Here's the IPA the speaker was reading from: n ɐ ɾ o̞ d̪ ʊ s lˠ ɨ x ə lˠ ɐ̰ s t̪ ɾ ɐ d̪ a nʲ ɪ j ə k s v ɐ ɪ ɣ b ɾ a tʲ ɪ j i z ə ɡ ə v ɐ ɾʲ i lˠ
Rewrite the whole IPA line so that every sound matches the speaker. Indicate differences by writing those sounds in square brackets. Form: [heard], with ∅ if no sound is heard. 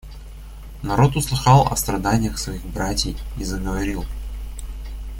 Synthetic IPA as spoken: n ɐ ɾ o̞ [t̪] ʊ s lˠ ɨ x [ɑ] lˠ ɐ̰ s t̪ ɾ ɐ d̪ a nʲ ɪ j ə [x] s v ɐ [i] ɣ b ɾ a tʲ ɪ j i z ə ɡ ə v ɐ ɾʲ i lˠ